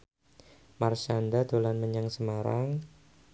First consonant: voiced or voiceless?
voiced